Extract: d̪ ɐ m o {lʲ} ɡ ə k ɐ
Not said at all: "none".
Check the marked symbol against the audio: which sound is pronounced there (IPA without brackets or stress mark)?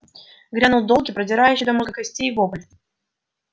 none